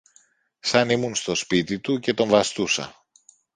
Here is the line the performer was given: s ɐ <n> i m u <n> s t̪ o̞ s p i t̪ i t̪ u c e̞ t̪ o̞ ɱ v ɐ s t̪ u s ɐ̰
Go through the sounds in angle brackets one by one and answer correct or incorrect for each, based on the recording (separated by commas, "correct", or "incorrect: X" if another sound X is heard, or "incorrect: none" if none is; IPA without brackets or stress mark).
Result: correct, correct